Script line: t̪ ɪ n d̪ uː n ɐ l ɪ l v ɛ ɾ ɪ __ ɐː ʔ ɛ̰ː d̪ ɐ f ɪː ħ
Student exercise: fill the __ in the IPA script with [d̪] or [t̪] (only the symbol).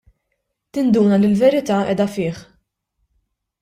t̪